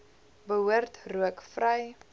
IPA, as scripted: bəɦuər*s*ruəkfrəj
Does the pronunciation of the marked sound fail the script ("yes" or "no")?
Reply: yes